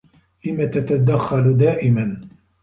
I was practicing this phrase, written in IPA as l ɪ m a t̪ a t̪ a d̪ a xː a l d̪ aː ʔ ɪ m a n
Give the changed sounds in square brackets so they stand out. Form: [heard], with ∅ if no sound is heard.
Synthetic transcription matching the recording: l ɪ m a t̪ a t̪ a d̪ a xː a l d̪ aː ʔ ɪ m a n

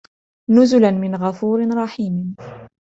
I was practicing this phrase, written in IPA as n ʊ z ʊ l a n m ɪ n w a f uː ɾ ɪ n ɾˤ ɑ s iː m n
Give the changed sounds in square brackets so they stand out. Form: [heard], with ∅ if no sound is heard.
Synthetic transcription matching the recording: n ʊ z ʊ l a n m ɪ n [ɣ] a f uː ɾ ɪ n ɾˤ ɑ [ħ] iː m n

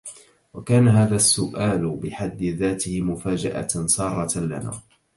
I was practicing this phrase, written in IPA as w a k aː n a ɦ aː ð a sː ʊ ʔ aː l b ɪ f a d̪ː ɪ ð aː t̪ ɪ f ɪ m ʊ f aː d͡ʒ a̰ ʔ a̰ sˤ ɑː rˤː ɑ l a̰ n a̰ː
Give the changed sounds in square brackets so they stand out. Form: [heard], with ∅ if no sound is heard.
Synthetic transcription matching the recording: w a k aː n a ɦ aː ð a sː ʊ ʔ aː l b ɪ [ħ] a d̪ː ɪ ð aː t̪ ɪ [h] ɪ m ʊ f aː d͡ʒ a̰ ʔ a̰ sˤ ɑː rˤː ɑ l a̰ n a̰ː

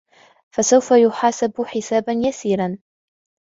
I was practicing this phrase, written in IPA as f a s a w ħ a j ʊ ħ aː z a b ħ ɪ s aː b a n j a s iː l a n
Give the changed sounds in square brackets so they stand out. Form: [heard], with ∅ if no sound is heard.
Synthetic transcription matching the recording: f a s a w [f] a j ʊ ħ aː [s] a b ħ ɪ s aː b a n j a s iː [ɾ] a n

